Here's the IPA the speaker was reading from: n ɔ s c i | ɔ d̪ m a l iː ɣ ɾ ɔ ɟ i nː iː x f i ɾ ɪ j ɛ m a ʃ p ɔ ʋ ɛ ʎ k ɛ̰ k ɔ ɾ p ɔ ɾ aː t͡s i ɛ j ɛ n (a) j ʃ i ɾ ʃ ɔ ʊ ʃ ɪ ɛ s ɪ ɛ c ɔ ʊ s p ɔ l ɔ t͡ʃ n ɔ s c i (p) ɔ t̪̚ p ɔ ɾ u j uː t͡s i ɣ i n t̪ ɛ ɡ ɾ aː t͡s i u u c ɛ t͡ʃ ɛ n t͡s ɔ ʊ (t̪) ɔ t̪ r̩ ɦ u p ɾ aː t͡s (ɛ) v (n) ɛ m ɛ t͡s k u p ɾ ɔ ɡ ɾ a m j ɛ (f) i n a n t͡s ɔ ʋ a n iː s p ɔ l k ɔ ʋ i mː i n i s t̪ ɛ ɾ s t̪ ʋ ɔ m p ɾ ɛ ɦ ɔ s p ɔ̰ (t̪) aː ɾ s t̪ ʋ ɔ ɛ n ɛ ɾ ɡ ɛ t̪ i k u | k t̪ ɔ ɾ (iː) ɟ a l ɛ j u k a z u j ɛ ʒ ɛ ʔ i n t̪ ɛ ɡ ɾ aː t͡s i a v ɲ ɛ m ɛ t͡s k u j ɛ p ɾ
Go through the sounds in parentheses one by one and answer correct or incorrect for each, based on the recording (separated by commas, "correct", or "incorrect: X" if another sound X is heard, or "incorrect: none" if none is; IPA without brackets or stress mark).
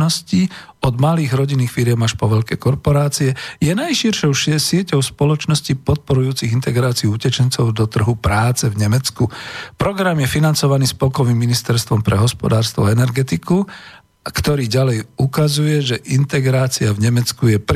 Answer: correct, correct, incorrect: d̪, correct, incorrect: ɲ, correct, incorrect: d̪, correct